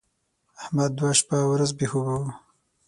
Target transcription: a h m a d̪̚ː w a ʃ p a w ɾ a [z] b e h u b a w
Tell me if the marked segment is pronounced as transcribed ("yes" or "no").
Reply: yes